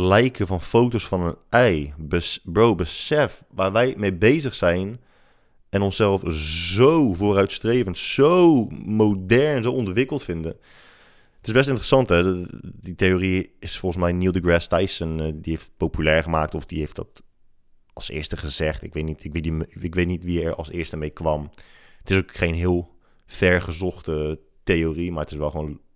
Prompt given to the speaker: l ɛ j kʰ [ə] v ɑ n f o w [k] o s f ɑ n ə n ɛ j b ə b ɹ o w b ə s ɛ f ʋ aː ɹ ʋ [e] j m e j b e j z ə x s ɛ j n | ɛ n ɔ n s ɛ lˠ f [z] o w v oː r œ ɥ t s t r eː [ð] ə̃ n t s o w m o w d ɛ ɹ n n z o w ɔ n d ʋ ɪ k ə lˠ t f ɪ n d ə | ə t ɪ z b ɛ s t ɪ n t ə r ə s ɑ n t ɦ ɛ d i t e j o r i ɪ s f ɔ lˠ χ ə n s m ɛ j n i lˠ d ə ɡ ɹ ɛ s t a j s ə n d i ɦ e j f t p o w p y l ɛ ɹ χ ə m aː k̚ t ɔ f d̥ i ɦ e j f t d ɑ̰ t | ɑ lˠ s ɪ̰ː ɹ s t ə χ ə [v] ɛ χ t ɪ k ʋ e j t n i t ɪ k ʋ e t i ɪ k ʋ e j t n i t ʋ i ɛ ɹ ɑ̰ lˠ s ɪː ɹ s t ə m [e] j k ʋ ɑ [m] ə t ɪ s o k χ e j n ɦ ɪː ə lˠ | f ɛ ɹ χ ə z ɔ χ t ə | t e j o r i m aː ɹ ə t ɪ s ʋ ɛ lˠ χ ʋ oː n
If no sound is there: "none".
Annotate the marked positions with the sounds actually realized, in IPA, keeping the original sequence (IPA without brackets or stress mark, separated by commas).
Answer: ə, t, ɛ, z, v, z, e, m